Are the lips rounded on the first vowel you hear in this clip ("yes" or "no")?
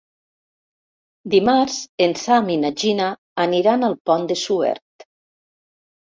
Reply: no